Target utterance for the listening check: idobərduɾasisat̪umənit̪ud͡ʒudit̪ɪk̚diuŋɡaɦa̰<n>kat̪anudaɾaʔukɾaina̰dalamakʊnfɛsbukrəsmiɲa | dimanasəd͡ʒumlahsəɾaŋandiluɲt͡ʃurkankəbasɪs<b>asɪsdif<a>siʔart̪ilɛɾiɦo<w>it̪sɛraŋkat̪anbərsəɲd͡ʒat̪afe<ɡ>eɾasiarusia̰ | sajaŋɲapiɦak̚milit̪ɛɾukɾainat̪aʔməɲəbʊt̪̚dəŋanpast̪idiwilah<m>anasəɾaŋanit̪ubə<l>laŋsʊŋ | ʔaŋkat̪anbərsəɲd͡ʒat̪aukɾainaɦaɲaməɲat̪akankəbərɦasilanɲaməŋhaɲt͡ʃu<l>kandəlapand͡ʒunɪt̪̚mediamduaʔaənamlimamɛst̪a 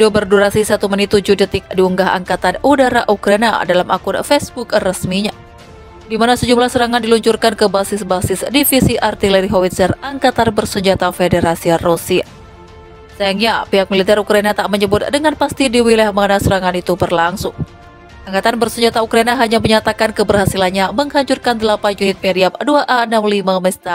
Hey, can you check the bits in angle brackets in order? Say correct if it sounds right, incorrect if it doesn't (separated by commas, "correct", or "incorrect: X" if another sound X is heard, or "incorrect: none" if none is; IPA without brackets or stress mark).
incorrect: ŋ, correct, incorrect: i, correct, incorrect: d, correct, incorrect: r, incorrect: r